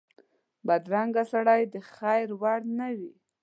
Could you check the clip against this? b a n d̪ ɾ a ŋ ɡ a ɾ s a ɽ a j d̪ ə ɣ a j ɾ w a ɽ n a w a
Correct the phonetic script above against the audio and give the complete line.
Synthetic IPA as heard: b a d̪ ɾ a ŋ ɡ a s a ɽ a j d̪ ə x a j ɾ w a ɽ n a w i

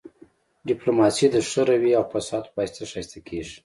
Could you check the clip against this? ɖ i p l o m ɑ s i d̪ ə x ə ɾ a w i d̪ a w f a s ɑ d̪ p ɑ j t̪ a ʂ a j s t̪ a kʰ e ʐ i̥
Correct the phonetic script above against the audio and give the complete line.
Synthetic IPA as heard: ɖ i p l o m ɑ s i d̪ ə ʂ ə ɾ a w i a w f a s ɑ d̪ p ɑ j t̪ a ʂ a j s t̪ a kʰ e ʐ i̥

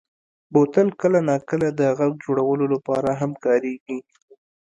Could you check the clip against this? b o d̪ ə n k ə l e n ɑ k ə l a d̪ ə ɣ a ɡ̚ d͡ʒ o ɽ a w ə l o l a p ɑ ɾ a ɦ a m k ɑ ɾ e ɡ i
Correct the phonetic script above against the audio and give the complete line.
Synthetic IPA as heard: b o t̪ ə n k ə l a n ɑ k ə l a d̪ ə ɣ a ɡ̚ d͡ʒ o ɽ a w ə l o l a p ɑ ɾ a ɦ a m k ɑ ɾ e ɡ i

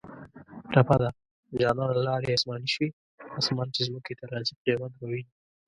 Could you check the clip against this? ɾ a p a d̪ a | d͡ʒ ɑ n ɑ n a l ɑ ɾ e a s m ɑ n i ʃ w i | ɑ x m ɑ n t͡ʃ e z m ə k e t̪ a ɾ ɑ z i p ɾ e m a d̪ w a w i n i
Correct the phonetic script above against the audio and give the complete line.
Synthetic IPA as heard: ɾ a p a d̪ a | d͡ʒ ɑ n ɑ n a l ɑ ɾ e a s m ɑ n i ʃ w i | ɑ s m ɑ n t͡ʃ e z m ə k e t̪ a ɾ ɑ z i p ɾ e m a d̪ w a w i n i

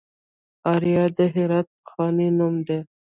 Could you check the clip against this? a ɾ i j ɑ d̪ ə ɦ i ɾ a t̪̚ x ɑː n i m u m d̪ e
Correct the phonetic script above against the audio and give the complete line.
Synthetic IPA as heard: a ɾ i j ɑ d̪ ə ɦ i ɾ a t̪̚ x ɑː n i n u m d̪ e

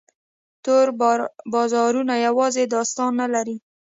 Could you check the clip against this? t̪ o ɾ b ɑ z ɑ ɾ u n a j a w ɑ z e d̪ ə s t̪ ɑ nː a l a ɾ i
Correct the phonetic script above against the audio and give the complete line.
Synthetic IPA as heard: t̪ o ɾ b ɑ z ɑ ɾ u n a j a w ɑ z e d̪ ɑ s t̪ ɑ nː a l a ɾ i

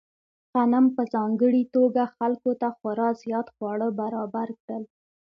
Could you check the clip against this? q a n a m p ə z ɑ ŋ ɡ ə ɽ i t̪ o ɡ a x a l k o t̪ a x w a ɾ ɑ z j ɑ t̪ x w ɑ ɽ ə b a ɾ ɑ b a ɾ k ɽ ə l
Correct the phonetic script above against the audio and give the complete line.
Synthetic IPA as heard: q a n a m p ə z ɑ ŋ ɡ ə ɽ i t̪ o ɡ a x a l k o t̪ a x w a ɾ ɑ z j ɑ t̪ x w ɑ ɽ ə b a ɾ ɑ b a ɾ k ɽ ə l

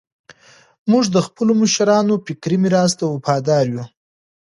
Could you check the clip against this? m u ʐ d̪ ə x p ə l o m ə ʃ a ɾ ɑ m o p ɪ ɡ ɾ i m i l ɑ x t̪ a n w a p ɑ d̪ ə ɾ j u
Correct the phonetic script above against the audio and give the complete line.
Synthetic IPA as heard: m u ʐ d̪ ə x p ə l o m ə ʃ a ɾ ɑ n o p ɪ k ɾ i m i ɾ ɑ s t̪ a w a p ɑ d̪ ɑ ɾ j u

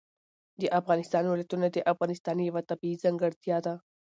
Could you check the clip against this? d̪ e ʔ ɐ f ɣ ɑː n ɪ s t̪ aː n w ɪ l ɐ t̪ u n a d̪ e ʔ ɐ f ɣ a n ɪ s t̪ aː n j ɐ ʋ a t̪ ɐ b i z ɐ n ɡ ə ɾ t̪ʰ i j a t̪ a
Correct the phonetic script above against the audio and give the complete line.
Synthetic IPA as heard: d̪ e ʔ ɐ f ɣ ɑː n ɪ s t̪ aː n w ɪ l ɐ t̪ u n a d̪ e ʔ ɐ f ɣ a n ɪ s t̪ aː n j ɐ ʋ a t̪ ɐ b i z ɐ ŋ ɡ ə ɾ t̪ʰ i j a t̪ a

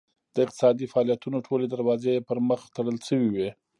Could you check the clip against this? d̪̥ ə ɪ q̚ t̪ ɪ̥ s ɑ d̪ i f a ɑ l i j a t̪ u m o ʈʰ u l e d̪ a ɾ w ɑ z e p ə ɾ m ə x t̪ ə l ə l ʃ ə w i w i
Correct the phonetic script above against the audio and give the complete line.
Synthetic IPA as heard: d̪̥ ə ɪ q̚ t̪ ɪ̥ s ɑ d̪ i f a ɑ l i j a t̪ u n o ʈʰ o l e d̪ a ɾ w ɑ z e p ə ɾ m ə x t̪ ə ɽ ə l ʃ ə w i w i

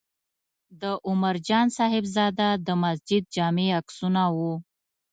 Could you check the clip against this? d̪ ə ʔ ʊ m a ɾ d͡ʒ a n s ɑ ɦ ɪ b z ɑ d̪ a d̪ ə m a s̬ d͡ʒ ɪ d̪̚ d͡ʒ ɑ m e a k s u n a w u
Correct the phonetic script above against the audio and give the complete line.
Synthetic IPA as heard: d̪ ə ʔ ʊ m a ɾ d͡ʒ ɑ n s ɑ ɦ ɪ b z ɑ d̪ a d̪ ə m a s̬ d͡ʒ ɪ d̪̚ d͡ʒ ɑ m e a k s u n a w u

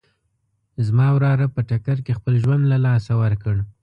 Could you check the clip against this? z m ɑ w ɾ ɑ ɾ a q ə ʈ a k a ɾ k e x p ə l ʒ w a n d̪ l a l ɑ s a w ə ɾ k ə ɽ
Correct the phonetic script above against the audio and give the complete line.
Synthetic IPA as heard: z m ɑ w ɾ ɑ ɾ a p ə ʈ a k a ɾ k e x p ə l ʒ w a n d̪ l a l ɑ s a w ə ɾ k ə ɽ

